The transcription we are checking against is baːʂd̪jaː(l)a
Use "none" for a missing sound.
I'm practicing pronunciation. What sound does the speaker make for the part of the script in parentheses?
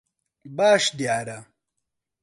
ɾ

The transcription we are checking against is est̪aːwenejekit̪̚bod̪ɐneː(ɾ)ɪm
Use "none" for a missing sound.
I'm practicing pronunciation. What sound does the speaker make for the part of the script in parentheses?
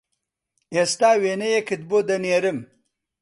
ɾ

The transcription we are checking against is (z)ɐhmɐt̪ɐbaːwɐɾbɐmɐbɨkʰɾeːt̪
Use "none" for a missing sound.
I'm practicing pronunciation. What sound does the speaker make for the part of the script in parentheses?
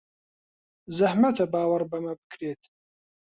z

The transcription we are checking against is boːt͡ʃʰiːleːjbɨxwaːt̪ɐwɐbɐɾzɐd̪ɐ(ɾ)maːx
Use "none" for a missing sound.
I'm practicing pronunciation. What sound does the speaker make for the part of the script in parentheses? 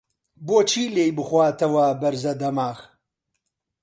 none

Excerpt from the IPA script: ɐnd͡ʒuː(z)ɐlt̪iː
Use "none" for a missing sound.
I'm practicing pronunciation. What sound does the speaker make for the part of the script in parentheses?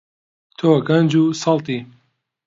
s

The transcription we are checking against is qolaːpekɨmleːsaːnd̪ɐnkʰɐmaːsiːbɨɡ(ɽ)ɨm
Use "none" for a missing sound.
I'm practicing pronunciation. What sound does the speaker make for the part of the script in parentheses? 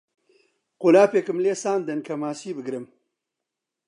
ɾ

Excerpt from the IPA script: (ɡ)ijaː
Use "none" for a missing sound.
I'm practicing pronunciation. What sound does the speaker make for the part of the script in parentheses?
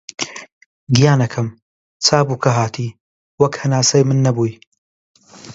ɡ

